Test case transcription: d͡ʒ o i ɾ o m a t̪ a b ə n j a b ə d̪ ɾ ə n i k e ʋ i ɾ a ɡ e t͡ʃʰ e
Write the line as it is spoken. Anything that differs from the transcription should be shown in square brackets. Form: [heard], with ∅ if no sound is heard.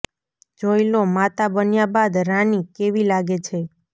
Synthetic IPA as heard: d͡ʒ o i [l] o m a t̪ a b ə n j a b [a] d̪ ɾ [a] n i k e ʋ i [l] a ɡ e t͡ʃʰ e